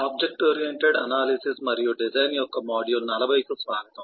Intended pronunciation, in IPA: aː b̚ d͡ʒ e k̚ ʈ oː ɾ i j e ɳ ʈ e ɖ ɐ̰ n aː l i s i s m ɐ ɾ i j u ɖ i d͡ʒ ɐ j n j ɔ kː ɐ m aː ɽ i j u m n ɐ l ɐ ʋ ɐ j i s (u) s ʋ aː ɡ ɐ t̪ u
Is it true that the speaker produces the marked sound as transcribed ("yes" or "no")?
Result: yes